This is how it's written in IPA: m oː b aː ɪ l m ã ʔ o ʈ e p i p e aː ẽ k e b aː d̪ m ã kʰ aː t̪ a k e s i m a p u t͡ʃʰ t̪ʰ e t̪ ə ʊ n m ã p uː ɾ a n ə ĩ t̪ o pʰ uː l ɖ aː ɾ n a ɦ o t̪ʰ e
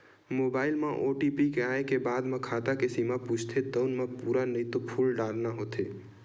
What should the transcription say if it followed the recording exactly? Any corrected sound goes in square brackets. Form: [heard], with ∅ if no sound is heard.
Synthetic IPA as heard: m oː b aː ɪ l m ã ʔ o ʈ [i] p i [k] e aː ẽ k e b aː d̪ m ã kʰ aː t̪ a k e s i m a p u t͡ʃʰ t̪ʰ e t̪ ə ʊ n m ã p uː ɾ a n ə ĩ t̪ o pʰ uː l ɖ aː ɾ n a ɦ o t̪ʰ e

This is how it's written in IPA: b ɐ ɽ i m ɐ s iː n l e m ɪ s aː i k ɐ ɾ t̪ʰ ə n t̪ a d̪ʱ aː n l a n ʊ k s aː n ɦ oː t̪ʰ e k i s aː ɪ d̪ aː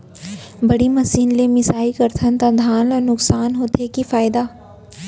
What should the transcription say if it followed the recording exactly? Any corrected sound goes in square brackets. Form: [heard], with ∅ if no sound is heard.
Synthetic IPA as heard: b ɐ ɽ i m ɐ s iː n l e m ɪ s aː i k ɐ ɾ t̪ʰ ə n t̪ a d̪ʱ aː n l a n ʊ k s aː n ɦ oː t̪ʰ e k i [f] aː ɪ d̪ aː

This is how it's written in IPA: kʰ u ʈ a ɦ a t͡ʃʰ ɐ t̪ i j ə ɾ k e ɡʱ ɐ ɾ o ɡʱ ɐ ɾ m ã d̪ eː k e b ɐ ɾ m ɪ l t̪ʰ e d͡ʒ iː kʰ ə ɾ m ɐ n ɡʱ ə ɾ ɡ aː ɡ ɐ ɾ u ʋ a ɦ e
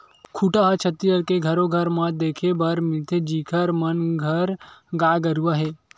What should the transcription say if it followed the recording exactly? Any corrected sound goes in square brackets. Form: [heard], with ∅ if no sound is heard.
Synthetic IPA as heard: kʰ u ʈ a ɦ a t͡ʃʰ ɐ t̪ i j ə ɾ k e ɡʱ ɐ ɾ o ɡʱ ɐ ɾ m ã d̪ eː [kʰ] e b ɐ ɾ m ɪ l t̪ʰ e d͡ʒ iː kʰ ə ɾ m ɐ n ɡʱ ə ɾ ɡ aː ɡ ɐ ɾ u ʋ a ɦ e

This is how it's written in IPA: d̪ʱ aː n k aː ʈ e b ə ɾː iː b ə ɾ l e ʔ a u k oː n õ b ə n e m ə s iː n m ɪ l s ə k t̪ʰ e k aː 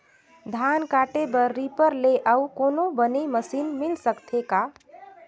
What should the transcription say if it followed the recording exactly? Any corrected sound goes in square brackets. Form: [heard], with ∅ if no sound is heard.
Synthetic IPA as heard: d̪ʱ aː n k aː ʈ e b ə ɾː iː [p] ə ɾ l e ʔ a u k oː n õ b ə n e m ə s iː n m ɪ l s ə k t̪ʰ e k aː

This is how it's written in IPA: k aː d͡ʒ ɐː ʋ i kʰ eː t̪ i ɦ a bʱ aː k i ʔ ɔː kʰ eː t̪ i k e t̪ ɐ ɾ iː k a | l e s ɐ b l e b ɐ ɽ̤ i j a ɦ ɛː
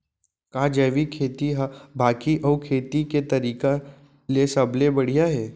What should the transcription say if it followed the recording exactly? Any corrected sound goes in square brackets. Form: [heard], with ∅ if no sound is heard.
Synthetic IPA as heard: k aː d͡ʒ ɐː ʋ i kʰ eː t̪ i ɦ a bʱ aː k i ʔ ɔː kʰ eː t̪ i k e t̪ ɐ ɾ iː k a | l e s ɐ b l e b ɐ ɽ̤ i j a ɦ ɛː

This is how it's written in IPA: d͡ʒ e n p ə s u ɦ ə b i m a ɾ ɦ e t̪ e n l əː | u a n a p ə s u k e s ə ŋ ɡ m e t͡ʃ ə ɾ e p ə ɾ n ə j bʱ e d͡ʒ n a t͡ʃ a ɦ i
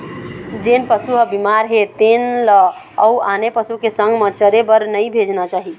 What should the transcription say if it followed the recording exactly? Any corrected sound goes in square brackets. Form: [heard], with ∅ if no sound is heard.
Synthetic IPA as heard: d͡ʒ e n p ə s u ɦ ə b i m a ɾ ɦ e t̪ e n l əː | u a n [e] p ə s u k e s ə ŋ ɡ m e t͡ʃ ə ɾ e [b] ə ɾ n ə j bʱ e d͡ʒ n a t͡ʃ a ɦ i

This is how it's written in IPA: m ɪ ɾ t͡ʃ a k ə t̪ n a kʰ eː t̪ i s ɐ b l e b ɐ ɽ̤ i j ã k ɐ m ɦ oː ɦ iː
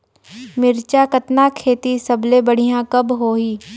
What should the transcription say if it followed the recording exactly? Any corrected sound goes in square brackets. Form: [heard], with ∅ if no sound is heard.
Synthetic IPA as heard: m ɪ ɾ t͡ʃ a k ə t̪ n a kʰ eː t̪ i s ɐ b l e b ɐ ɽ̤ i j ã k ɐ [b] ɦ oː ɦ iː

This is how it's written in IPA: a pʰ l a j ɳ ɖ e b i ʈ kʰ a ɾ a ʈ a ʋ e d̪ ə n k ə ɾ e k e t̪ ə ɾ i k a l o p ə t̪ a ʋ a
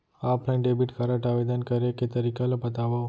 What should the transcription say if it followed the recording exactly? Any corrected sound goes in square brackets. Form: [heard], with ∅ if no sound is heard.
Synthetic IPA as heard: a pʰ l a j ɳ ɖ e b i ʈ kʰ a ɾ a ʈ a ʋ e d̪ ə n k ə ɾ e k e t̪ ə ɾ i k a l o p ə t̪ a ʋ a

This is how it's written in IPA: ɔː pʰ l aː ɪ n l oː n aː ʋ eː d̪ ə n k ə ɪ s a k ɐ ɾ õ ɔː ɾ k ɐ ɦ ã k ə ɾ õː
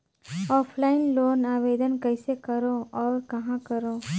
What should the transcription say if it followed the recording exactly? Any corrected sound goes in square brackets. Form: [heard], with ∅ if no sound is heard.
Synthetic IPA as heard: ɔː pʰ l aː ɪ n l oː n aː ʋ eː d̪ ə n k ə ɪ s [e] k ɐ ɾ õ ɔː ɾ k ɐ ɦ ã k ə ɾ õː

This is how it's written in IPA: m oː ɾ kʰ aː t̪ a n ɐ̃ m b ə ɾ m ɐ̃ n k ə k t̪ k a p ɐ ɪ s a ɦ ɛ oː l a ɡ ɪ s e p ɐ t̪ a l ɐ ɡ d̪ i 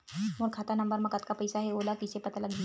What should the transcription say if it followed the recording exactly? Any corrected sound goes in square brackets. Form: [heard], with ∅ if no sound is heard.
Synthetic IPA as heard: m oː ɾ kʰ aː t̪ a n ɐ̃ m b ə ɾ m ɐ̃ [∅] k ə [∅] t̪ k a p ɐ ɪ s a ɦ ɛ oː l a [k] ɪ s e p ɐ t̪ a l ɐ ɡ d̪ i

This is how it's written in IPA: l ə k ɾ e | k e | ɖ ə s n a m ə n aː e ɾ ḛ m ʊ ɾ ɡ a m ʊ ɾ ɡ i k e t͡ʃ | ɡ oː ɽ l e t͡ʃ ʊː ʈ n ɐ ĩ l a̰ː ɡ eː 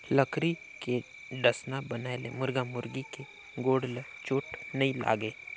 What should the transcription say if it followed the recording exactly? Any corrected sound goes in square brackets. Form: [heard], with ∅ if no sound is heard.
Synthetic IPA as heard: l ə k ɾ [i] | k e | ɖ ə s n a [b] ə n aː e [l] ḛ m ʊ ɾ ɡ a m ʊ ɾ ɡ i k e [∅] | ɡ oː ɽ l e t͡ʃ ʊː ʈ n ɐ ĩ l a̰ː ɡ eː

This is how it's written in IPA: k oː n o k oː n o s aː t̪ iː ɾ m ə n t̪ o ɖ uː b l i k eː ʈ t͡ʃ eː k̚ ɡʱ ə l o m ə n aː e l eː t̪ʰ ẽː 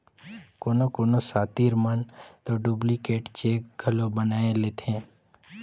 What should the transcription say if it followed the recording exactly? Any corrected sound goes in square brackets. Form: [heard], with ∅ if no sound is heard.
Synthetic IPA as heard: k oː n o k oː n o s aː t̪ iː ɾ m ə n t̪ o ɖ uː b l i k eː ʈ t͡ʃ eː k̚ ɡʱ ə l o [b] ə n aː e l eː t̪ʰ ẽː

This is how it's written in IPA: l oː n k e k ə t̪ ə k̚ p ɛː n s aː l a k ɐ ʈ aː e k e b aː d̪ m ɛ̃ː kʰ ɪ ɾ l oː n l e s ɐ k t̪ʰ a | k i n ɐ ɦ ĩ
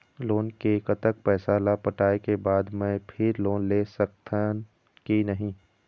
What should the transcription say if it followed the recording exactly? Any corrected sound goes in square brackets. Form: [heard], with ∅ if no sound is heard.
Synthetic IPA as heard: l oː n k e k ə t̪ ə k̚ p ɛː [∅] s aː l a [p] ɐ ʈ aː e k e b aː d̪ m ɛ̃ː [pʰ] ɪ ɾ l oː n l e s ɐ k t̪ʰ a | k i n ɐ ɦ ĩ

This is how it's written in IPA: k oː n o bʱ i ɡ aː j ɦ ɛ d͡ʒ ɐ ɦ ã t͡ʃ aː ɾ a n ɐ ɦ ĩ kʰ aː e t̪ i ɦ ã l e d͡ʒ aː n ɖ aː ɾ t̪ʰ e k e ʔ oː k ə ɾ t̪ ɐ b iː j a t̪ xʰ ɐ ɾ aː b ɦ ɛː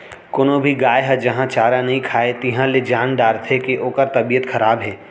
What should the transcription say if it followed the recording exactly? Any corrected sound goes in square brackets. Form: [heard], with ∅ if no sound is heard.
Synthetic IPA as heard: k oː n o bʱ i ɡ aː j ɦ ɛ d͡ʒ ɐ ɦ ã t͡ʃ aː ɾ a n ɐ ɦ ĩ kʰ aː e t̪ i ɦ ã l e d͡ʒ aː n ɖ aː ɾ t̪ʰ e k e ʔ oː k ə ɾ t̪ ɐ b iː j [ə] t̪ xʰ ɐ ɾ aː b ɦ ɛː

